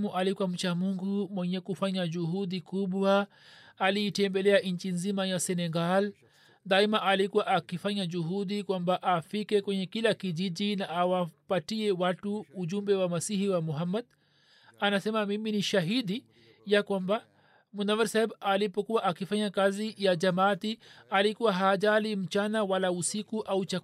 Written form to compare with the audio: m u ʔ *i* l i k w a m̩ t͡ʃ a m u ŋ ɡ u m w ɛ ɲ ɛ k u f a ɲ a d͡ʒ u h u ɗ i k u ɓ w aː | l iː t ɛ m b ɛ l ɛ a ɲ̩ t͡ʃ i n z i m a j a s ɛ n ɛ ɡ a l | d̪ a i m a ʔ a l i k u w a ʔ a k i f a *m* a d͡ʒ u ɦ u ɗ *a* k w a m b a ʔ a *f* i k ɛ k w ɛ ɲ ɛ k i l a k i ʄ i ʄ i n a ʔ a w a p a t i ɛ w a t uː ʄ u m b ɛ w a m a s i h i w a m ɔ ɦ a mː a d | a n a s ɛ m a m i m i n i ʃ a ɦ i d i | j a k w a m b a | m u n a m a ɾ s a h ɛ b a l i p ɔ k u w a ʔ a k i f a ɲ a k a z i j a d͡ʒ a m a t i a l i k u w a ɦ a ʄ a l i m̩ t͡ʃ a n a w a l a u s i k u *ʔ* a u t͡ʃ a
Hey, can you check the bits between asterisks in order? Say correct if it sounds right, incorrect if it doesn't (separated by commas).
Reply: incorrect, incorrect, incorrect, correct, correct